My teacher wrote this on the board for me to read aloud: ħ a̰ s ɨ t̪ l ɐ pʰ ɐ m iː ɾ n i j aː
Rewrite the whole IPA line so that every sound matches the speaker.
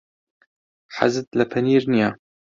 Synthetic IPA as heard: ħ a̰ z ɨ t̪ l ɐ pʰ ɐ n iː ɾ n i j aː